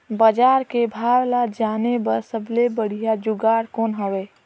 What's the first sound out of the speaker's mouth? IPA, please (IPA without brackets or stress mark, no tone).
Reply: b